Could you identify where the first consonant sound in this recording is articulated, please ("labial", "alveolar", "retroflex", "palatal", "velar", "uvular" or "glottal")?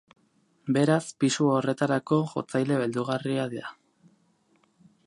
labial